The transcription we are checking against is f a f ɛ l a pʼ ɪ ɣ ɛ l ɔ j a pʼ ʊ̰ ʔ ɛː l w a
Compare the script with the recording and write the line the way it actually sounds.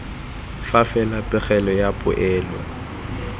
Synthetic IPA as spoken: f a f ɛ l a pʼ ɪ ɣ ɛ l ɔ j a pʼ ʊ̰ ʔ ɛː l w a